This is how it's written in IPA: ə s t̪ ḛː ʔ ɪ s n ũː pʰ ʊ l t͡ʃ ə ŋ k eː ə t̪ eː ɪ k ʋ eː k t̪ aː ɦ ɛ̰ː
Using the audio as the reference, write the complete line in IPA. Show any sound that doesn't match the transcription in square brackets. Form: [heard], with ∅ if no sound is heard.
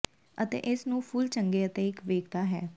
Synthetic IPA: ə [∅] t̪ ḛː ʔ ɪ s n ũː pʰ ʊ l t͡ʃ ə ŋ [ɡ] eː ə t̪ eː ɪ k ʋ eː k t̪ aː ɦ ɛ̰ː

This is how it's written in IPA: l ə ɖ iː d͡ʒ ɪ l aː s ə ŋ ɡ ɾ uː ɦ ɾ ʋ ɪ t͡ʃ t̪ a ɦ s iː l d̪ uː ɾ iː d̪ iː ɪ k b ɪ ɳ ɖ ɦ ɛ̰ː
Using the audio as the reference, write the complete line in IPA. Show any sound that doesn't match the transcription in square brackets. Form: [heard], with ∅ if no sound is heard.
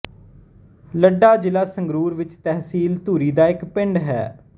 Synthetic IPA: l ə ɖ [aː] d͡ʒ ɪ l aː s ə ŋ ɡ ɾ uː [∅] ɾ ʋ ɪ t͡ʃ t̪ [ɛ] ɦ s iː l [t̪] uː ɾ iː d̪ [aː] ɪ k [p] ɪ ɳ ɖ ɦ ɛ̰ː

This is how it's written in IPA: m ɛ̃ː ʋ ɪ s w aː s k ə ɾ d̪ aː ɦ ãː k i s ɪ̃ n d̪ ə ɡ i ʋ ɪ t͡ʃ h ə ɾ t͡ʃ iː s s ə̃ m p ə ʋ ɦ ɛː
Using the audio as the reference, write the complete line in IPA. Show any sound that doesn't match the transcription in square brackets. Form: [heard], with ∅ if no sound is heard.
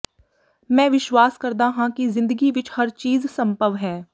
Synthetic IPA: m ɛ̃ː ʋ ɪ [ʃ] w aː s k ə ɾ d̪ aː ɦ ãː k i [z] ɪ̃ n d̪ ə ɡ i ʋ ɪ t͡ʃ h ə ɾ t͡ʃ iː [z] s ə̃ m p ə ʋ ɦ ɛː

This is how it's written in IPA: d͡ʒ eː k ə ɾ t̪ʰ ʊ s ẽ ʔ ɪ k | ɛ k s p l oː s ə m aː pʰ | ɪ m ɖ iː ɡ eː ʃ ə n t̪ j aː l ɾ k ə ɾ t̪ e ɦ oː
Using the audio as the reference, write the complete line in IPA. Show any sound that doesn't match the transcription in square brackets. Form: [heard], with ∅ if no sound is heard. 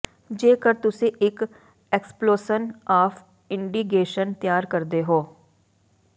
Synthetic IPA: d͡ʒ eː k ə ɾ [t̪] ʊ s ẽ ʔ ɪ k | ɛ k s p l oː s ə [n] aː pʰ | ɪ [ɳ] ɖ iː ɡ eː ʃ ə n t̪ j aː [∅] ɾ k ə ɾ [d̪] e ɦ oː

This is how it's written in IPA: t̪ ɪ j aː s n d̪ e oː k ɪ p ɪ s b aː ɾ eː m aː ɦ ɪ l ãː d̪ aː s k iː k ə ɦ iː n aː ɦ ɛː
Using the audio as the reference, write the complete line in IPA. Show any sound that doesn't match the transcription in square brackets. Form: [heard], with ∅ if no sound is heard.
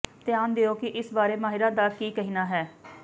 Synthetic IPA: t̪ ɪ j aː [∅] n d̪ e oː k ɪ [ʔ] ɪ s b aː ɾ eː m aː ɦ ɪ [ɾ] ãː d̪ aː [∅] k iː k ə ɦ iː n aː ɦ ɛː

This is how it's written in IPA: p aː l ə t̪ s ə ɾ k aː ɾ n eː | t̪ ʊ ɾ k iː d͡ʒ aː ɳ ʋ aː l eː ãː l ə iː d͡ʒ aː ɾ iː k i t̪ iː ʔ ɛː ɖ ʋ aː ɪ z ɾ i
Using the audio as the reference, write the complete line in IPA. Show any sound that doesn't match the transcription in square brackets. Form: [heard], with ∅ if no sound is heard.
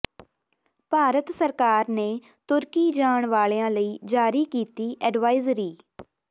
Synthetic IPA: p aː [ɾ] ə t̪ s ə ɾ k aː ɾ n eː | t̪ ʊ ɾ k iː d͡ʒ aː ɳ ʋ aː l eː ãː l ə iː d͡ʒ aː ɾ iː k [iː] t̪ iː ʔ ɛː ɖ ʋ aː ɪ z ɾ [iː]

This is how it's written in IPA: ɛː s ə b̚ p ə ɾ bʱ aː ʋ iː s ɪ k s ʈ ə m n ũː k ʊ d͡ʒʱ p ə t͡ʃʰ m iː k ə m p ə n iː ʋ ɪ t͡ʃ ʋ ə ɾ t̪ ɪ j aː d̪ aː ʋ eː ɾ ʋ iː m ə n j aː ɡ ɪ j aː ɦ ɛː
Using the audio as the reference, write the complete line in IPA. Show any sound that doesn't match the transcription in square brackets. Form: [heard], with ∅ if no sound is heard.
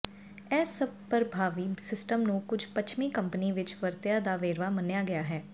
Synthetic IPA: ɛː s ə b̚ p ə ɾ bʱ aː ʋ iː s ɪ [∅] s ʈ ə m n ũː k ʊ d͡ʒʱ p ə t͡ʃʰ m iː k ə m p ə n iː ʋ ɪ t͡ʃ ʋ ə ɾ t̪ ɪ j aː d̪ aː ʋ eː ɾ ʋ [aː] m ə n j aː ɡ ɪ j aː ɦ ɛː

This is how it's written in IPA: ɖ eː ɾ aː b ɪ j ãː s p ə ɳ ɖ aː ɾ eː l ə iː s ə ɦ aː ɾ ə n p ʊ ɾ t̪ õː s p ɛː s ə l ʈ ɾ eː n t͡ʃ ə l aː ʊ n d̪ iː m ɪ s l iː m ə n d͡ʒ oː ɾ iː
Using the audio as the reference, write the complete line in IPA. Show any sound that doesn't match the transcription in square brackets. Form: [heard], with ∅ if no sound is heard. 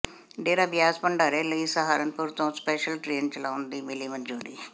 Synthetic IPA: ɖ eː ɾ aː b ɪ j [aː] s p ə ɳ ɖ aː ɾ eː l ə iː s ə ɦ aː ɾ ə n p ʊ ɾ t̪ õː s p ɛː [ʃ] ə l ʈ ɾ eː n t͡ʃ ə l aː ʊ n d̪ iː m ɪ [∅] l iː m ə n d͡ʒ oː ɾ iː

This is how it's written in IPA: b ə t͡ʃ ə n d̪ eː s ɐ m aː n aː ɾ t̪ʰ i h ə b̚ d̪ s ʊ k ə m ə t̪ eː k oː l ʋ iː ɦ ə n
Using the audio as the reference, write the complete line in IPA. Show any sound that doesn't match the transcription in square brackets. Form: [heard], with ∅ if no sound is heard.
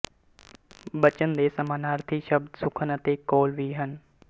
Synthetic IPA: b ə t͡ʃ ə n d̪ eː s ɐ m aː n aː ɾ t̪ʰ i [ʃ] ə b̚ d̪ s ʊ [kʰ] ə [n] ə t̪ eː k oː l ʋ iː ɦ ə n

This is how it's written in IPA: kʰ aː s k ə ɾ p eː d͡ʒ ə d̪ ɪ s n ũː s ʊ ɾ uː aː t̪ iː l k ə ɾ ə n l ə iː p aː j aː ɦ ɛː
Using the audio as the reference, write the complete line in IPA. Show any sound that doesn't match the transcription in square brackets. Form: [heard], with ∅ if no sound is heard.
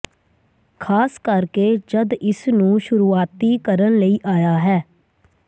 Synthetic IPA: kʰ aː s k ə ɾ [k] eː d͡ʒ ə d̪ ɪ s n ũː [ʃ] ʊ ɾ uː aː t̪ iː [∅] k ə ɾ ə n l ə iː [ʔ] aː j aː ɦ ɛː

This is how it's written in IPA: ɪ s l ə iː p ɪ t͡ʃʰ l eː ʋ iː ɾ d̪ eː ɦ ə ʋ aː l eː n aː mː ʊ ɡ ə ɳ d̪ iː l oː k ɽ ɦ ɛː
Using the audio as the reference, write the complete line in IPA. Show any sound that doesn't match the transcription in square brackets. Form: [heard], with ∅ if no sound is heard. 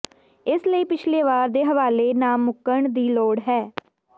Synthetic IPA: ɪ s l ə iː p ɪ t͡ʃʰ l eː ʋ [aː] ɾ d̪ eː ɦ ə ʋ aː l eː n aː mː ʊ [k] ə ɳ d̪ iː l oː [∅] ɽ ɦ ɛː

